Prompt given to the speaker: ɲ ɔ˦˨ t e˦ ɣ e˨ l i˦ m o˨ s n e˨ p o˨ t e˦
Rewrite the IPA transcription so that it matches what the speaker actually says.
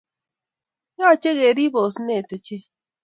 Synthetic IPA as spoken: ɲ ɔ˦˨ t͡ʃ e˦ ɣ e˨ ɾ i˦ b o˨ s n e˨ t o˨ t͡ʃ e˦

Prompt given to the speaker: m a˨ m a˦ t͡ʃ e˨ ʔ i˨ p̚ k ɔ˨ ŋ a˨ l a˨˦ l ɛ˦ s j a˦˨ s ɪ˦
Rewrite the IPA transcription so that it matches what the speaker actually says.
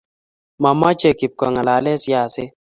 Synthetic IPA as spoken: m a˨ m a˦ t͡ʃ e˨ k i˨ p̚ k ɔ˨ ŋ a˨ l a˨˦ l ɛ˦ s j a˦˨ s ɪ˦

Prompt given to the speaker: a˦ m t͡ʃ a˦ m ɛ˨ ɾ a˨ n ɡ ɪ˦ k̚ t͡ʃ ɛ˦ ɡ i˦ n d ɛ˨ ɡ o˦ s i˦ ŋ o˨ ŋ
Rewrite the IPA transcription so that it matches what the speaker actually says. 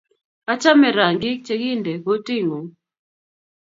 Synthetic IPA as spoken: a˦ t͡ʃ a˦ m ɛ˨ ɾ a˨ ŋ ɡ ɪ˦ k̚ t͡ʃ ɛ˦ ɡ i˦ n d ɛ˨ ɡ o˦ t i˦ ŋ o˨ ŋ

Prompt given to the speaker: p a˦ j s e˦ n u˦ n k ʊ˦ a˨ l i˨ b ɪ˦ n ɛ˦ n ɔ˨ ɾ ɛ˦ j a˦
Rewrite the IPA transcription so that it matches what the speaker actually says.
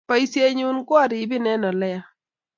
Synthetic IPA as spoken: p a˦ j s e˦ ɲ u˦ n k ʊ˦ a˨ ɾ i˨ b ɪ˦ n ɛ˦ n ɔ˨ l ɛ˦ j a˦

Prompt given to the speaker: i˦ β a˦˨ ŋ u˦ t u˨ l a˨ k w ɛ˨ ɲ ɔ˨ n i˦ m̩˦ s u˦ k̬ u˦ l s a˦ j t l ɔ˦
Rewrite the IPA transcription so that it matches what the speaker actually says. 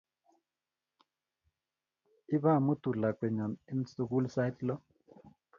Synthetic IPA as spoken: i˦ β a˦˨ m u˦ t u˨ l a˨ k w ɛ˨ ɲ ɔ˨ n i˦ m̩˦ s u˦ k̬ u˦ l s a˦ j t l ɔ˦

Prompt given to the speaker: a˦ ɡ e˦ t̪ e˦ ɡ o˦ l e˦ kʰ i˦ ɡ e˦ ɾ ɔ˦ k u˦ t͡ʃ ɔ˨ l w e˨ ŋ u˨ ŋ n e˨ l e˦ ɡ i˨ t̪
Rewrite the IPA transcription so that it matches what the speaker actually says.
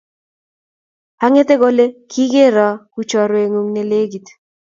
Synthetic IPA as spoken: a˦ ŋ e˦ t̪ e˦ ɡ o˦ l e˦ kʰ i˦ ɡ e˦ ɾ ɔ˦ k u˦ t͡ʃ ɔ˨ ɾ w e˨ ŋ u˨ ŋ n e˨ l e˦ ɡ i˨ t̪

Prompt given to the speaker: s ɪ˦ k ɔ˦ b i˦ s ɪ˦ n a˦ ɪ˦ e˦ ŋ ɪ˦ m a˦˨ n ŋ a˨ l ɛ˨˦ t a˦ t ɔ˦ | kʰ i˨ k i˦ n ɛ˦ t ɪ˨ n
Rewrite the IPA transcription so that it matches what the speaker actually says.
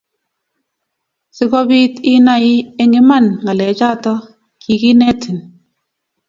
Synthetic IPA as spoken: s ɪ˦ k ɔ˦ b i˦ t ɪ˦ n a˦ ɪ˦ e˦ ŋ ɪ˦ m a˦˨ n ŋ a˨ l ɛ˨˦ t͡ʃ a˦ t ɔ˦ | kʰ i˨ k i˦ n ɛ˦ t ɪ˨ n

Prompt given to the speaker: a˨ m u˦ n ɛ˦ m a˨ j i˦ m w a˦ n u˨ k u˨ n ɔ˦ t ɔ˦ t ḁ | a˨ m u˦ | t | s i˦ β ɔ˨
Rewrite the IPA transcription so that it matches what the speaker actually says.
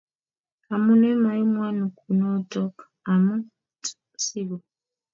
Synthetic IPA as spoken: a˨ m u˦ n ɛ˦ m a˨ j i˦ m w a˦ n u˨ k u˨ n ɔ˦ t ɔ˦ k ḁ | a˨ m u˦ | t | s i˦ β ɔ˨

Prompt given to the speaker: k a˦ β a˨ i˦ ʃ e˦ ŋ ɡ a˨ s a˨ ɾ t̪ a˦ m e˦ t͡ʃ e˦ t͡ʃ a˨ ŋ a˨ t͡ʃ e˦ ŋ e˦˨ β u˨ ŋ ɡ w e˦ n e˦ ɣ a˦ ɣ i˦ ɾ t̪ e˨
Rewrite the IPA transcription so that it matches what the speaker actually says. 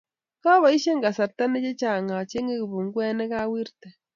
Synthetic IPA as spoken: k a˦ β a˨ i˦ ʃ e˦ ŋ ɡ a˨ s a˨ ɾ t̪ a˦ n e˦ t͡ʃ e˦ t͡ʃ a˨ ŋ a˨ t͡ʃ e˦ ŋ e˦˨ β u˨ ŋ ɡ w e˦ n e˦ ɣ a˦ w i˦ ɾ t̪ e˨

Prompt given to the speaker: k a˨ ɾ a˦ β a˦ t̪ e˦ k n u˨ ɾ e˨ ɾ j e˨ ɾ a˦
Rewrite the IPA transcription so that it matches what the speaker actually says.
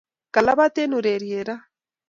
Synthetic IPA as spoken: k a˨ l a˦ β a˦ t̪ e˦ n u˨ ɾ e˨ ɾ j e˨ ɾ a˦

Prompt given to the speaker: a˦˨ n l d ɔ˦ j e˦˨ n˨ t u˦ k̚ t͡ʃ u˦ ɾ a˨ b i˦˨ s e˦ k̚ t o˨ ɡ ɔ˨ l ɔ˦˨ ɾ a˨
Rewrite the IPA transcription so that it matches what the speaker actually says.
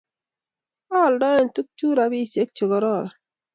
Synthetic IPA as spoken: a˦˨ l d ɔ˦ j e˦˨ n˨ t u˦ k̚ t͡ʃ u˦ ɾ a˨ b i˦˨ s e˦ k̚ t͡ʃ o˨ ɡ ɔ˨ ɾ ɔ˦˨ ɾ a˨

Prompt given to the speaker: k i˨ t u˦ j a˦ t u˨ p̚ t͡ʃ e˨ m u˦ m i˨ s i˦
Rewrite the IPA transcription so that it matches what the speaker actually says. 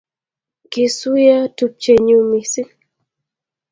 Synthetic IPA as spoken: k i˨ s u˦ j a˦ t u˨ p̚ t͡ʃ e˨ ɲ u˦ m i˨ s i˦

